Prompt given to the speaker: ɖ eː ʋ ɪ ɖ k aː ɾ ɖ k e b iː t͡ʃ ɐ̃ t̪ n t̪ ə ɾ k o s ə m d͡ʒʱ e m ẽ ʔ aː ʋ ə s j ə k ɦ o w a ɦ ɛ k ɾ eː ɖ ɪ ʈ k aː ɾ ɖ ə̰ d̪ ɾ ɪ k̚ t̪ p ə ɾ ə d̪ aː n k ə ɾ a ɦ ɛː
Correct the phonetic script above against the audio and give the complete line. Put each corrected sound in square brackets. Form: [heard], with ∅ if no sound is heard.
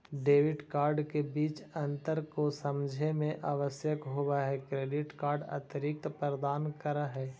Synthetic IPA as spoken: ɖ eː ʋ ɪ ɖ k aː ɾ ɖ k e b iː t͡ʃ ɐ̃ [∅] n t̪ ə ɾ k o s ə m d͡ʒʱ e m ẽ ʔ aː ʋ ə s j ə k ɦ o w a ɦ ɛ k ɾ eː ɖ ɪ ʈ k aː ɾ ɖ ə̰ [t̪] ɾ ɪ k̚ t̪ p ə ɾ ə d̪ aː n k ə ɾ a ɦ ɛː